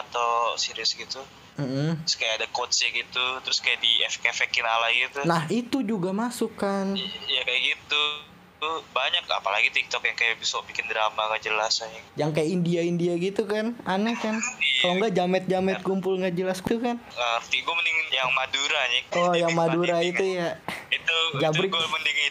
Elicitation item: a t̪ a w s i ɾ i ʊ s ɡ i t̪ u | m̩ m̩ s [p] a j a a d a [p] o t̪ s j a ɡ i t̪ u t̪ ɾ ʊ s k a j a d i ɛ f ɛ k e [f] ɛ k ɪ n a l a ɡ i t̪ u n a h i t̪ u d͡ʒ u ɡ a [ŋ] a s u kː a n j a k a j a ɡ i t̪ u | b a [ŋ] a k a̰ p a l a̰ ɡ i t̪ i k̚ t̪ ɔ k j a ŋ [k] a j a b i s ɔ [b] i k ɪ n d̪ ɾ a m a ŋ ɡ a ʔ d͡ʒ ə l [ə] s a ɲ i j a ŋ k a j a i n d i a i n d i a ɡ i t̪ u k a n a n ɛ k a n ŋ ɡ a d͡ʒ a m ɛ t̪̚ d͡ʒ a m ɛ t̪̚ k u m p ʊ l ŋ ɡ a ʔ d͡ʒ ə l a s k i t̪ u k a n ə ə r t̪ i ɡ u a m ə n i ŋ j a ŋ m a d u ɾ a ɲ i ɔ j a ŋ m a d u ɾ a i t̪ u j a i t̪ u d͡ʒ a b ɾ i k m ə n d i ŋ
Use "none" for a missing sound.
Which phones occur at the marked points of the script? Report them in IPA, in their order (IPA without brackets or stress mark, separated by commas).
k, k, f, m, ɲ, k, b, a